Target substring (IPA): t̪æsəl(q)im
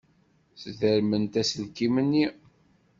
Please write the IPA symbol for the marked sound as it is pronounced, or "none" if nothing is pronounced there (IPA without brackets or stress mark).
k